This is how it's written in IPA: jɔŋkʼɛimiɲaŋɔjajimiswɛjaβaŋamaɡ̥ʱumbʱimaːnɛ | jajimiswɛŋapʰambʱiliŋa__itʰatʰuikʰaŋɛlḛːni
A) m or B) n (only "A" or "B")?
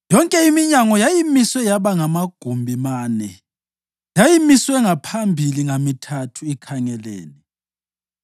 A